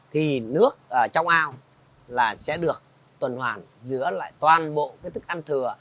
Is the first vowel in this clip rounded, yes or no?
no